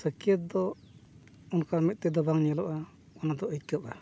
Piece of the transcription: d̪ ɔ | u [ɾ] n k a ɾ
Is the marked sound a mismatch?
yes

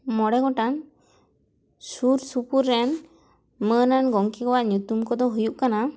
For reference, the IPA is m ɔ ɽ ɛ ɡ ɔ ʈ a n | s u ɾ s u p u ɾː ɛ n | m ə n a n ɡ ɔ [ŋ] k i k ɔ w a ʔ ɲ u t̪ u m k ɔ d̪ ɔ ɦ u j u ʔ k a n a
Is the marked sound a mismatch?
no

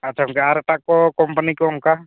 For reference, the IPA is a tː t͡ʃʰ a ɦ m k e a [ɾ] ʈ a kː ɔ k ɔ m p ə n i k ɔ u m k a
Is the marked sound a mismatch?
no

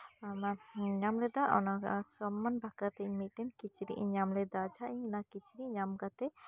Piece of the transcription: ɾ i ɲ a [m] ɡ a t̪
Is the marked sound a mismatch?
no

